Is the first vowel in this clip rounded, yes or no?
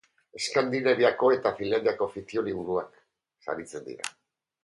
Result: no